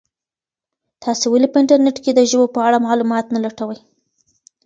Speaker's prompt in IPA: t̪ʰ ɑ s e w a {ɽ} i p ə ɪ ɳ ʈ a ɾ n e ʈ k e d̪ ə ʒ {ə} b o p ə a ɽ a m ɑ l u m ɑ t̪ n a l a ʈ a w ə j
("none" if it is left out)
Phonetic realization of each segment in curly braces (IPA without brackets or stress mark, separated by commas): l, ə